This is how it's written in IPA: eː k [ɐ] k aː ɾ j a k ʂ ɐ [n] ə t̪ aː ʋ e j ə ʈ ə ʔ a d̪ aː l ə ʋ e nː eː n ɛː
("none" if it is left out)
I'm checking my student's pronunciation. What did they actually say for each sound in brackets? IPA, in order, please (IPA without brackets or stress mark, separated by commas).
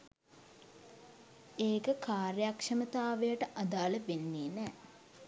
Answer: ə, m